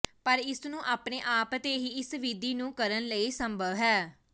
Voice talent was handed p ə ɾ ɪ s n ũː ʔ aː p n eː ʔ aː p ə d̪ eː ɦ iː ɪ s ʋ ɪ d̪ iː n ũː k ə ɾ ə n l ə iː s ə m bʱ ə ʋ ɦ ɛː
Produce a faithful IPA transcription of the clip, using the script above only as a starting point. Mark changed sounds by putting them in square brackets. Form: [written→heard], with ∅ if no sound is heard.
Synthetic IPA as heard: p ə ɾ ɪ s n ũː ʔ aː p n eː ʔ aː p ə [d̪→t̪] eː ɦ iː ɪ s ʋ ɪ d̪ iː n ũː k ə ɾ ə n l ə iː s ə m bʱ ə ʋ ɦ ɛː